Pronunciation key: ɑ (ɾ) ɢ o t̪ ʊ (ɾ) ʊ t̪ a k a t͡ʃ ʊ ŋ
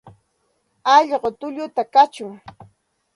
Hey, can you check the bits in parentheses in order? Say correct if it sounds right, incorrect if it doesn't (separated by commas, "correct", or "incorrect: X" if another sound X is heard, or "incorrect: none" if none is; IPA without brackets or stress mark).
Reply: incorrect: ʎ, incorrect: ʎ